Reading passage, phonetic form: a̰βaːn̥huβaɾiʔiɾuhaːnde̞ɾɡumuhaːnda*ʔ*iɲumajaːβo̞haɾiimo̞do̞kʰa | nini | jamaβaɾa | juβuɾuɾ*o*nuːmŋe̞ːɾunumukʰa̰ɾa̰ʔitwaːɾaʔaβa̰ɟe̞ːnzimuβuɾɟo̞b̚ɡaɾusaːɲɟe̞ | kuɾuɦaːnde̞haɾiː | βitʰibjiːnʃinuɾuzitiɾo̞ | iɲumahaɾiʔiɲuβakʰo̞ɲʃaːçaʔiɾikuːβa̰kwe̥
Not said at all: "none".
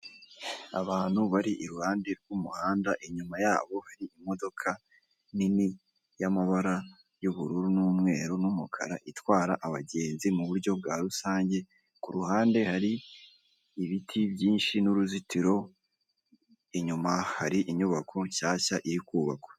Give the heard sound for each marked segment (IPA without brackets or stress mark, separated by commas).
ʔ, u